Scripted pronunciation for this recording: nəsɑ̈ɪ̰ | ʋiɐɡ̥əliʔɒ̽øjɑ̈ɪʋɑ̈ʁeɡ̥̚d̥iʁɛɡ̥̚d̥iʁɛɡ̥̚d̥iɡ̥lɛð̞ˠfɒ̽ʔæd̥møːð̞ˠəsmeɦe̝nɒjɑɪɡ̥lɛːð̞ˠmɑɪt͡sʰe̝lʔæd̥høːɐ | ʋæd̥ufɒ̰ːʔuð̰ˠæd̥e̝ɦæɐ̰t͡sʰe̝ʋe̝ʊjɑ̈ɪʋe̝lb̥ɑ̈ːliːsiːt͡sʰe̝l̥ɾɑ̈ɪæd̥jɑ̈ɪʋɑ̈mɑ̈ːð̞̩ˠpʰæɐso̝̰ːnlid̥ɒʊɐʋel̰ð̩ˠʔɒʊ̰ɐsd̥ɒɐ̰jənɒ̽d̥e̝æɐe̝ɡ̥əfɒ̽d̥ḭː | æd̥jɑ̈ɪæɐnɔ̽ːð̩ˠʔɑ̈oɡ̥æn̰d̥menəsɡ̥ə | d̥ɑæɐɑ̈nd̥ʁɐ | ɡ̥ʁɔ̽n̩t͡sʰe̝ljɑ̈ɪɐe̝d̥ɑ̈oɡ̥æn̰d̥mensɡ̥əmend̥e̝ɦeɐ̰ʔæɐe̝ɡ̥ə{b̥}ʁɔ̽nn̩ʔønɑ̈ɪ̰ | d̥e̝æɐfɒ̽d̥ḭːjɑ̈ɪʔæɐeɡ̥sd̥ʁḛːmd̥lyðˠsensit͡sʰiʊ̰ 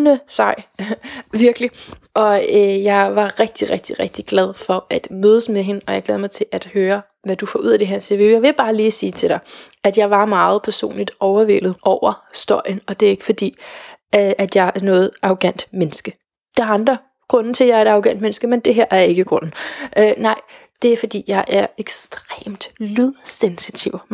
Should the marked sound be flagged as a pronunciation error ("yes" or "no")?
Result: yes